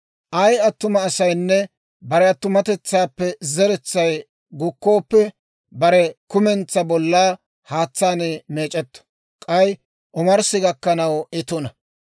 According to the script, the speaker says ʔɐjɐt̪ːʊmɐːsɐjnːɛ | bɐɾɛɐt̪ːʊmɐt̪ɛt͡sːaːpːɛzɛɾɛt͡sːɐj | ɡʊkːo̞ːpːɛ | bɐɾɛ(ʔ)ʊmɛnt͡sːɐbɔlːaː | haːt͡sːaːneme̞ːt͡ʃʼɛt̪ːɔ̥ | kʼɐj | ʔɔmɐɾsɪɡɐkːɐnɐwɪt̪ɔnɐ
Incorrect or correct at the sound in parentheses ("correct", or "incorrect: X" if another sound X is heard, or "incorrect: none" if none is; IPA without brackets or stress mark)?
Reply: incorrect: k